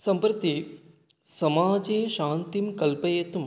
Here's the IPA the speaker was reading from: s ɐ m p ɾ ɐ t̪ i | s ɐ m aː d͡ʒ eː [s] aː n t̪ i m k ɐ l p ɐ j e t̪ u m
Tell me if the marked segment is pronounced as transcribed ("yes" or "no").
no